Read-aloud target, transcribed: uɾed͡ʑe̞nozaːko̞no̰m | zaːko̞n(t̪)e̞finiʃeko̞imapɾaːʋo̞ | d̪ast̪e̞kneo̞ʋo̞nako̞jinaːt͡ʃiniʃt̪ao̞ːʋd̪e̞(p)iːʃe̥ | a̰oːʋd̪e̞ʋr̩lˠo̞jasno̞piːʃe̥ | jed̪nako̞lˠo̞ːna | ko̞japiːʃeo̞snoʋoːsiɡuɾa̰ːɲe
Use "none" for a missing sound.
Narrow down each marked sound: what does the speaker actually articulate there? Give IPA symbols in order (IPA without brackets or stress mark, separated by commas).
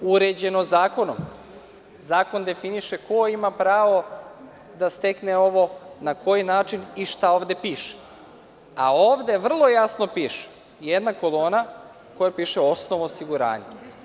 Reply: d̪, p